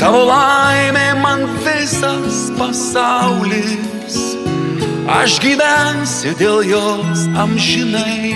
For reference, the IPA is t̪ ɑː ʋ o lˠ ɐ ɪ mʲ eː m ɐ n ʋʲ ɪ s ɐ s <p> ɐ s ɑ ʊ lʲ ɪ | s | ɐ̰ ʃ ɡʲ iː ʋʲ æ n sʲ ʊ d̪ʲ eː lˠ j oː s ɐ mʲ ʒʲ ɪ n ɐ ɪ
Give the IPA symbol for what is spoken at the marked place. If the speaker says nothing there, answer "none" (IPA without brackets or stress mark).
p